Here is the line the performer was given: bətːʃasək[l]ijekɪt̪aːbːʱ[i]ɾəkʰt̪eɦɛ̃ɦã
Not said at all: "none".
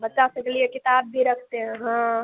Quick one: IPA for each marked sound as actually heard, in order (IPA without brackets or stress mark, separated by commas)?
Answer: l, i